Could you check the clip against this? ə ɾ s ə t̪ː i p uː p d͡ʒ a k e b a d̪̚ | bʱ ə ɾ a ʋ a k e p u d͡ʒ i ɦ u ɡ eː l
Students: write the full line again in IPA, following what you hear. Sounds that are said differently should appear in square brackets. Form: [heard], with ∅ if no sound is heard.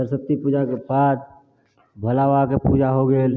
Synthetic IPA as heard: ə ɾ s ə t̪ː i p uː [∅] d͡ʒ a k e b a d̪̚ | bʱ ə [l] a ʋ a k e p u d͡ʒ [a] ɦ [o] ɡ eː l